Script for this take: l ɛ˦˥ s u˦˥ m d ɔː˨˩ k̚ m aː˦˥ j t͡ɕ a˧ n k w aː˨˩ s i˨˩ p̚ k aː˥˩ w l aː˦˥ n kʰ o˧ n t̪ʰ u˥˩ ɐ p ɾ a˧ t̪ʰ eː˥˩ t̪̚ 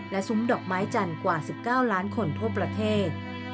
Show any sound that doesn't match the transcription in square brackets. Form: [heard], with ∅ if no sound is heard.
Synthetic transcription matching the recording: l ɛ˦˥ s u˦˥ m d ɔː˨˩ k̚ m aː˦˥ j t͡ɕ a˧ n k w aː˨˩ s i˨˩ p̚ k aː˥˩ w l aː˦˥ n kʰ o˧ n t̪ʰ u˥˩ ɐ p ɾ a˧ t̪ʰ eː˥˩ t̪̚

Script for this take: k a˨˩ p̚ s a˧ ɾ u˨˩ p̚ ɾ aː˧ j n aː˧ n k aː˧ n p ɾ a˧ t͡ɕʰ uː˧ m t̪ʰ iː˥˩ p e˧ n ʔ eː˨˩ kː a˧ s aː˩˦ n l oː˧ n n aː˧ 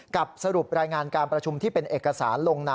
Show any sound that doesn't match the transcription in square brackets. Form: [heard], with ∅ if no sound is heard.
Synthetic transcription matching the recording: k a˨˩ p̚ s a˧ ɾ u˨˩ p̚ ɾ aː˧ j [ŋ] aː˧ n k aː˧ n p ɾ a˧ t͡ɕʰ [u˧] m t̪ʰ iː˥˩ p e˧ n ʔ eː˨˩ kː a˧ s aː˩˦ n l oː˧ [ŋ] n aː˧

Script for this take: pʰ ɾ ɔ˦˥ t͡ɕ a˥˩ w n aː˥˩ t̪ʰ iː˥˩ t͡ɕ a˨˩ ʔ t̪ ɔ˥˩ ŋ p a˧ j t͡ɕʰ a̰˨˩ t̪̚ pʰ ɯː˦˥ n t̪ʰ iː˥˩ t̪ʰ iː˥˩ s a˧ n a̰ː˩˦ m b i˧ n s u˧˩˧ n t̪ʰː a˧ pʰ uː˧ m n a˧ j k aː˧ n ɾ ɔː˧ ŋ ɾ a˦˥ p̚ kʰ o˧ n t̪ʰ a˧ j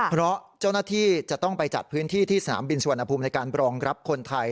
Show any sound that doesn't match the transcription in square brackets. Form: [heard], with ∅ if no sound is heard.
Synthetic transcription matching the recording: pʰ ɾ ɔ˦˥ t͡ɕ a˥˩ w n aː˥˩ t̪ʰ iː˥˩ t͡ɕ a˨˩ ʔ t̪ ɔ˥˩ ŋ p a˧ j [t͡ɕ] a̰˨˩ t̪̚ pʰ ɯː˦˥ n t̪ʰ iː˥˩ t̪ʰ iː˥˩ s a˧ n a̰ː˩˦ m b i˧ n s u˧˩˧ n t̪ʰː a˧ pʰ uː˧ m n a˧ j k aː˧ n ɾ ɔː˧ ŋ ɾ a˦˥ p̚ kʰ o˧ n t̪ʰ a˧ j

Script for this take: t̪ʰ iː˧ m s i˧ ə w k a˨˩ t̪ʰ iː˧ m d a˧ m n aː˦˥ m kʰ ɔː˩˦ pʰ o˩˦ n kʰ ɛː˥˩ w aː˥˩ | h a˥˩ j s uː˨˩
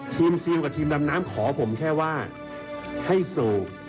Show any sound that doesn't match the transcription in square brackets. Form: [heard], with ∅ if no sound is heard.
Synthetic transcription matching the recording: t̪ʰ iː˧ m s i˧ ə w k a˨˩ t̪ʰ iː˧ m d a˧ m n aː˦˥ m kʰ ɔː˩˦ pʰ o˩˦ [m] kʰ ɛː˥˩ w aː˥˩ | h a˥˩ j s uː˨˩

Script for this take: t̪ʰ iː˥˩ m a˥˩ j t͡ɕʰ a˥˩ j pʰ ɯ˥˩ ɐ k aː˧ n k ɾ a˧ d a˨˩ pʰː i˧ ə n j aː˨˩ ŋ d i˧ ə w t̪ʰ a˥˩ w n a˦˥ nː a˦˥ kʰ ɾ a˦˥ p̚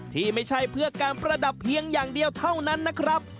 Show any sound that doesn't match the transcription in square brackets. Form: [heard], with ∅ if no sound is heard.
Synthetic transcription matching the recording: t̪ʰ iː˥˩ m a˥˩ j t͡ɕʰ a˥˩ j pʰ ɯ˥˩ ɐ k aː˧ n [p] ɾ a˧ d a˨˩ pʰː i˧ ə [ŋ] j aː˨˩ ŋ d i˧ ə w t̪ʰ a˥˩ w n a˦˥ nː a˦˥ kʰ ɾ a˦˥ p̚

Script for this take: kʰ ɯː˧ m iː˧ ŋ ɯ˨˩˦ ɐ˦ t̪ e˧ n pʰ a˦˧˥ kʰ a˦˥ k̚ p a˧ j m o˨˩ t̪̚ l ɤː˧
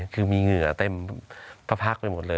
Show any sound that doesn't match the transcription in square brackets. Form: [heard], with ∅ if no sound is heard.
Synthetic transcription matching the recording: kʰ ɯː˧ m iː˧ ŋ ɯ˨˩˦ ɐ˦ t̪ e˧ [m] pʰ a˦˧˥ [pʰ] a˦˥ k̚ p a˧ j m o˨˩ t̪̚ l ɤː˧

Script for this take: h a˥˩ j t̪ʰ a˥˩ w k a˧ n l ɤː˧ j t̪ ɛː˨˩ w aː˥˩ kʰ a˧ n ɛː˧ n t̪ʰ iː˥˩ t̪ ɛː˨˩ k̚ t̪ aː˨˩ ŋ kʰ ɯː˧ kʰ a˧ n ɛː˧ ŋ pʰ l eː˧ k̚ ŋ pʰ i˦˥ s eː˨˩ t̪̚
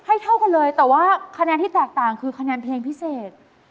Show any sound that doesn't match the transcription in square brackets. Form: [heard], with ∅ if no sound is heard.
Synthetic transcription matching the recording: h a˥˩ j t̪ʰ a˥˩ w k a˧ n l ɤː˧ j t̪ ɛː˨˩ w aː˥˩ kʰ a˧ n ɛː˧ n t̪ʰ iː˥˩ t̪ ɛː˨˩ k̚ t̪ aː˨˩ ŋ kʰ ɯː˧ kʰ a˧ n ɛː˧ [n] pʰ l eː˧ [∅] ŋ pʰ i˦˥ s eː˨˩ t̪̚

